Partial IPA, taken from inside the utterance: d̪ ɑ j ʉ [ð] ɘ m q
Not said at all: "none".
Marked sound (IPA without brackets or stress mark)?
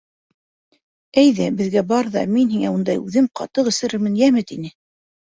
ð